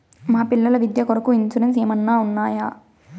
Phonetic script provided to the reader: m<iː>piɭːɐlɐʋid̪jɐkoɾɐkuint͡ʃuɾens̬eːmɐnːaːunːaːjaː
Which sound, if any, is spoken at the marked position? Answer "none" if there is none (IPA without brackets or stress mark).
aː